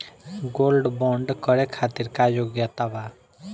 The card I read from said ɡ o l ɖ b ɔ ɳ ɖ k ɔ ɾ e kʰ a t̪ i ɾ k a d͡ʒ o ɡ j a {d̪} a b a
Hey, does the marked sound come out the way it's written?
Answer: no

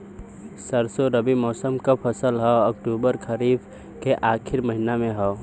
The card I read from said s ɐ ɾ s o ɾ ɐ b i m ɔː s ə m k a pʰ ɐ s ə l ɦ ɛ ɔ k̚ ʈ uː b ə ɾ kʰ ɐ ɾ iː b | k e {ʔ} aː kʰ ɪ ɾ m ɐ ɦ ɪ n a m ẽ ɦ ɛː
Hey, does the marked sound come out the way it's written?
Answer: yes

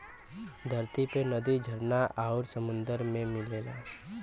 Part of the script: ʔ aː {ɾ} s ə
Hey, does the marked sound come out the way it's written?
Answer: yes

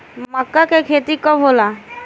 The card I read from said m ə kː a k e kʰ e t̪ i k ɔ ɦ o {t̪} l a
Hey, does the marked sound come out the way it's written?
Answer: no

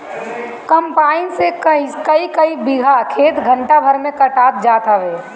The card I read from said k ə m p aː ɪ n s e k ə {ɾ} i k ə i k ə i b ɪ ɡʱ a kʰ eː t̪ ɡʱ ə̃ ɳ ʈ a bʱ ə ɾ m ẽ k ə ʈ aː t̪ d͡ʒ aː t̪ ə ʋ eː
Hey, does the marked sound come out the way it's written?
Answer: no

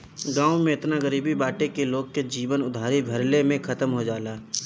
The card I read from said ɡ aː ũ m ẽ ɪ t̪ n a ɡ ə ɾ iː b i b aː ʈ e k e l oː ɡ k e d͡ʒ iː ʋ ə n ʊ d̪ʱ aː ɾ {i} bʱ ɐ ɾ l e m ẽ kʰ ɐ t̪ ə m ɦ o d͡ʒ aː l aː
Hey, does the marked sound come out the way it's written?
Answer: yes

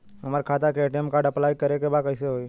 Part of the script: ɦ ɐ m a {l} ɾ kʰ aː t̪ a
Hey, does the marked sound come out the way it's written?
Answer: no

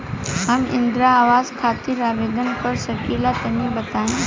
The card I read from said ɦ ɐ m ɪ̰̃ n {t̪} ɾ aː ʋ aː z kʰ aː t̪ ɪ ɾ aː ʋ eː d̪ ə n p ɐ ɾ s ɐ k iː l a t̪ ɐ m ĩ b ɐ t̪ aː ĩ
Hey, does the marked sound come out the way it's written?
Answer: no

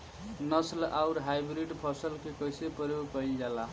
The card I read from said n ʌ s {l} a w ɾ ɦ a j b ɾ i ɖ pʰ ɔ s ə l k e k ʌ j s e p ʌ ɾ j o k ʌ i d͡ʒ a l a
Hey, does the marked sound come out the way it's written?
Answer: yes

